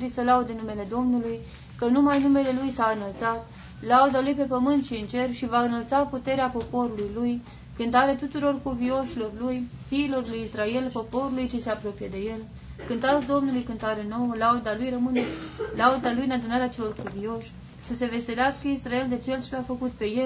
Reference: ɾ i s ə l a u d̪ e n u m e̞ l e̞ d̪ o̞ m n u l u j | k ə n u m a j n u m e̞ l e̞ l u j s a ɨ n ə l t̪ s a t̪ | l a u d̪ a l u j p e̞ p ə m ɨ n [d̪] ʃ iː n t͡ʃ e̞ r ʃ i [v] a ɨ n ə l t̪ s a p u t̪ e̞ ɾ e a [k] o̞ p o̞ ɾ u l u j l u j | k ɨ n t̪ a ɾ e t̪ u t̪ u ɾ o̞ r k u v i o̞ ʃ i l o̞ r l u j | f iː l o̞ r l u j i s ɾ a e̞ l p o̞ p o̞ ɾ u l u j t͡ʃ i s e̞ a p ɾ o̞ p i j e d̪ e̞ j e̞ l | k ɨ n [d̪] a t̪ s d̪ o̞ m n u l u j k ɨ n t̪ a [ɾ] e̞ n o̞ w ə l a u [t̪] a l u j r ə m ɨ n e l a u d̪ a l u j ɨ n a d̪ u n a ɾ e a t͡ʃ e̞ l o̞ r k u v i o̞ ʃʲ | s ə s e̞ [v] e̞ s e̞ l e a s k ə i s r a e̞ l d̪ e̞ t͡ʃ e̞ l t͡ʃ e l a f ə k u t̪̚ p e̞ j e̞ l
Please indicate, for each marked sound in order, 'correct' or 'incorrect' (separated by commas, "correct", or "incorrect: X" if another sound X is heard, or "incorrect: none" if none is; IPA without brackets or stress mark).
incorrect: t̪, correct, incorrect: p, incorrect: t̪, correct, incorrect: d̪, correct